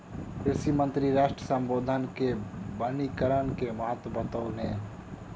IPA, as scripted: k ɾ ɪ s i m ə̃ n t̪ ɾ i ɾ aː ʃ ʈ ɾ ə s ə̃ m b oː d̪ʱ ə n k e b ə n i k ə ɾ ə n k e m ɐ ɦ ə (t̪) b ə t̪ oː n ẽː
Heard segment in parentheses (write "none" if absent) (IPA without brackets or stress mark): t̪